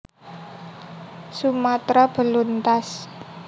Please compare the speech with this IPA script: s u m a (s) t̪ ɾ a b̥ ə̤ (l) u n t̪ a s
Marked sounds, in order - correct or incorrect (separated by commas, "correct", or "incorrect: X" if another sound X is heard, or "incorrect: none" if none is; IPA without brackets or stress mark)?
incorrect: none, correct